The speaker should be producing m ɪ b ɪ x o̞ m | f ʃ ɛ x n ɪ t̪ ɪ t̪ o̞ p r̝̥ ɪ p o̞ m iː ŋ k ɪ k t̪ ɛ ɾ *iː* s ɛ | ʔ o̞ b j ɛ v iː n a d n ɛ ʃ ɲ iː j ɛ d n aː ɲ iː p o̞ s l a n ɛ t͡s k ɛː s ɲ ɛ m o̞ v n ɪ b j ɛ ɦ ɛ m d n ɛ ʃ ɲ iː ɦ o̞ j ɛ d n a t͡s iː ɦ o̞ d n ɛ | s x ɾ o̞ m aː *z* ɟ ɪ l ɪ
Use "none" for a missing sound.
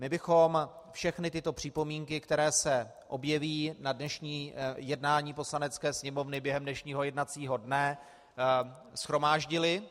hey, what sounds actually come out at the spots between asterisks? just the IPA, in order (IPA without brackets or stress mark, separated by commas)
ɛː, ʒ